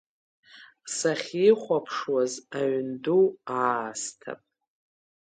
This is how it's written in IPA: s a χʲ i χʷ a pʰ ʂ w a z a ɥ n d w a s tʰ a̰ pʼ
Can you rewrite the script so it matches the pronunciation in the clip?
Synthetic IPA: s a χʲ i χʷ a pʰ ʂ w a z a ɥ n d u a s tʰ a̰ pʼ